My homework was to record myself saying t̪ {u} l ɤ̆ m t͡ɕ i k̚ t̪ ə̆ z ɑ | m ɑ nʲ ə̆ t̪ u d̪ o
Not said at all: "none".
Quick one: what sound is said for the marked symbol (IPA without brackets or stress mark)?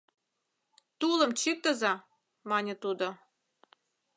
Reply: u